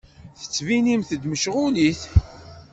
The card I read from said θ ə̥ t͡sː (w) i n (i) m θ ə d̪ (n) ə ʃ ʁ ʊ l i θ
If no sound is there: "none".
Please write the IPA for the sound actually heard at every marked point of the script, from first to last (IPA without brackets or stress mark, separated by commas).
v, i, m